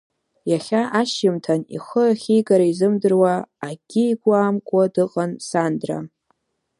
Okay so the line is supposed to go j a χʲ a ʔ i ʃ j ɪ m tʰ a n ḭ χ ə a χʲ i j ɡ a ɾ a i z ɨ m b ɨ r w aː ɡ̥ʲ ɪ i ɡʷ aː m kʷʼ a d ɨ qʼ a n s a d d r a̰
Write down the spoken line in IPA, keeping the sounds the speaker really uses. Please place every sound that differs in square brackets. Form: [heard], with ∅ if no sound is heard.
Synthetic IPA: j a χʲ a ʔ [a] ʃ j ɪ m tʰ a n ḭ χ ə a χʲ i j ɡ a ɾ a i z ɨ m [d] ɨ r w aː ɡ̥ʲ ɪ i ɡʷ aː m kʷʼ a d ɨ qʼ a n s a [n] d r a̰

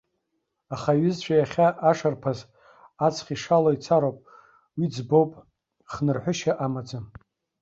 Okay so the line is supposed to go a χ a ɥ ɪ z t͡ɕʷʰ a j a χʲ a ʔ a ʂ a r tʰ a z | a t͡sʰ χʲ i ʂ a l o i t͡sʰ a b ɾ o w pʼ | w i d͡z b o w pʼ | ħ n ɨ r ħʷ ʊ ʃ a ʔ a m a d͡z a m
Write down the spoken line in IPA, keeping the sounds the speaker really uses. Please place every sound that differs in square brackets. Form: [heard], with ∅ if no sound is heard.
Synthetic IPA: a χ a ɥ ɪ z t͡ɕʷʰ a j a χʲ a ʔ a ʂ a r [pʰ] a z | a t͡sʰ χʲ i ʂ a l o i t͡sʰ a [∅] ɾ o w pʼ | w i d͡z b o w pʼ | [χ] n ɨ r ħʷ ʊ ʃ a ʔ a m a d͡z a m

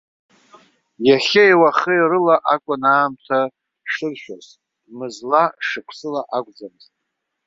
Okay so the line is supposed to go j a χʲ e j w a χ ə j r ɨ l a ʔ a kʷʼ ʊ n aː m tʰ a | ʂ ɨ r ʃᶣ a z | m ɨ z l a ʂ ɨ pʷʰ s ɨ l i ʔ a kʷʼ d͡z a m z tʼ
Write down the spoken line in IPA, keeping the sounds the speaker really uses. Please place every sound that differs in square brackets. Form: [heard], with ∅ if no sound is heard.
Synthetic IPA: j a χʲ e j w a χ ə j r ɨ l a ʔ a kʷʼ ʊ n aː m tʰ a | ʂ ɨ r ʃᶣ a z | m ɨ z l a ʂ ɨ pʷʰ s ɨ l [a] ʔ a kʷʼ d͡z a m z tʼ

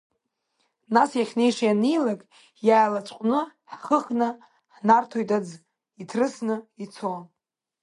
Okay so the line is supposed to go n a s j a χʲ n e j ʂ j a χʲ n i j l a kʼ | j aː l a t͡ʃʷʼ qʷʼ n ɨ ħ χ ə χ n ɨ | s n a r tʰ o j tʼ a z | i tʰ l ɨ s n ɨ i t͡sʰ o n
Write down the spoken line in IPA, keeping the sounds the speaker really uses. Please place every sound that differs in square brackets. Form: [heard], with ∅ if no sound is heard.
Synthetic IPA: n a s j a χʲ n e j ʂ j a [∅] n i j l a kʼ | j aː l a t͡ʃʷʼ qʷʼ n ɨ ħ χ ə χ n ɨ | [ħ] n a r tʰ o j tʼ a [d͡z] | i tʰ [r] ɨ s n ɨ i t͡sʰ o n

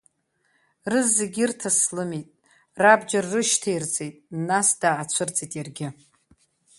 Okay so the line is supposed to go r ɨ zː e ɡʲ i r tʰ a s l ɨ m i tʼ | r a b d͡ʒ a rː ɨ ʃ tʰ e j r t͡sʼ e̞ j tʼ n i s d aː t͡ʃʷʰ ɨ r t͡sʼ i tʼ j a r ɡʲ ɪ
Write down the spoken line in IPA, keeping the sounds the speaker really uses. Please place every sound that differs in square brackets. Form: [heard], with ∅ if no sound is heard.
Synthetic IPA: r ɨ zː e ɡʲ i r tʰ a s l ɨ m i tʼ | r a b d͡ʒ a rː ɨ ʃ tʰ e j r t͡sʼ e̞ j tʼ n [a] s d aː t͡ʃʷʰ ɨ r t͡sʼ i tʼ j a r ɡʲ ɪ

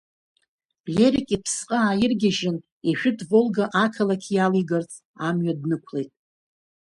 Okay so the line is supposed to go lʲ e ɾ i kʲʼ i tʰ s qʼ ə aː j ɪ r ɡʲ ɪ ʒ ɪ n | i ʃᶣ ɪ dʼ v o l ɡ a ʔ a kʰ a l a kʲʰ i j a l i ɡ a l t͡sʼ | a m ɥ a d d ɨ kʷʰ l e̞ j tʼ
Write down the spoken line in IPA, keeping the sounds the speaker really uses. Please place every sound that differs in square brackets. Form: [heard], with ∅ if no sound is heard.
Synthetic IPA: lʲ e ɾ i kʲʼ i [pʰ] s qʼ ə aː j ɪ r ɡʲ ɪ ʒ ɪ n | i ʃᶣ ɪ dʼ v o l ɡ a ʔ a kʰ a l a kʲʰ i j a l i ɡ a [r] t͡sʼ | a m ɥ a d [n] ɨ kʷʰ l e̞ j tʼ

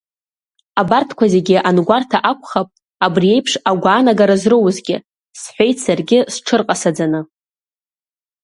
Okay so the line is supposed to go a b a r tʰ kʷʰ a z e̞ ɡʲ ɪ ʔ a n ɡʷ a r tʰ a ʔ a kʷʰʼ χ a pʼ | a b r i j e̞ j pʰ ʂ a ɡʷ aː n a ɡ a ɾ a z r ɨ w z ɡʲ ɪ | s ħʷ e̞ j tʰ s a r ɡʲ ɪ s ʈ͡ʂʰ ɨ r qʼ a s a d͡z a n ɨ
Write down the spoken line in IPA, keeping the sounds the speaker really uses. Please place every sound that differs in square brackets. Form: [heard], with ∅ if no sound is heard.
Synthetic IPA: a b a r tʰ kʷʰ a z e̞ ɡʲ ɪ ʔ a n ɡʷ a r tʰ a ʔ a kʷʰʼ χ a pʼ | a b r i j e̞ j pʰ ʂ a ɡʷ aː n a ɡ a ɾ a z r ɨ w z ɡʲ ɪ | s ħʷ e̞ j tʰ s a r ɡʲ ɪ s ʈ͡ʂʰ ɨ r qʼ a s a d͡z a n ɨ

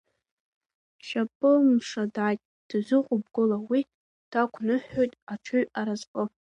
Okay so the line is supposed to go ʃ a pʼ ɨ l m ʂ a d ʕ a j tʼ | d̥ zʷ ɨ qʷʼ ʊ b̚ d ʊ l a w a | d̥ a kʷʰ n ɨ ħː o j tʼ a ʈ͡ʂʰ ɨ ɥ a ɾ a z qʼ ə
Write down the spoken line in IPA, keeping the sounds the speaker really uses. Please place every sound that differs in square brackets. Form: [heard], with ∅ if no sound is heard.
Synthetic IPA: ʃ a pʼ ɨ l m ʂ a d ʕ a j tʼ | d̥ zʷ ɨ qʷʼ ʊ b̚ [ɡ] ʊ l a w [i] | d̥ a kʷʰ n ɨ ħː o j tʼ a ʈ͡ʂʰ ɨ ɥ a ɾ a z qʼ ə

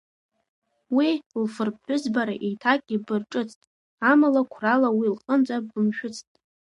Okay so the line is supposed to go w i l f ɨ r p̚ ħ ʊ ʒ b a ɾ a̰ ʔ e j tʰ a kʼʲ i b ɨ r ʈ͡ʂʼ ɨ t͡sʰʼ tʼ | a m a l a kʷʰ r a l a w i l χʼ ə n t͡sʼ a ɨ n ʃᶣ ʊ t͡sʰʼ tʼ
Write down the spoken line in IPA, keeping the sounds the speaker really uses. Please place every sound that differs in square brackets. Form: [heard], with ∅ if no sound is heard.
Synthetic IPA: w i l f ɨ r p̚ ħ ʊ [z] b a ɾ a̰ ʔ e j tʰ a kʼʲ i b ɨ r ʈ͡ʂʼ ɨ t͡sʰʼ tʼ | a m a l a kʷʰ r a l a w i l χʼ ə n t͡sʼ a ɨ [m] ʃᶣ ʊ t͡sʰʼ tʼ

